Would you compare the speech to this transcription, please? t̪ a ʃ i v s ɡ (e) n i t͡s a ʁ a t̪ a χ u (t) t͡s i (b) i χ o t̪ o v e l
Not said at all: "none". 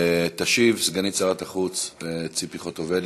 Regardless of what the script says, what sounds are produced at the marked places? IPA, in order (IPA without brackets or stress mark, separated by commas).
a, t͡s, p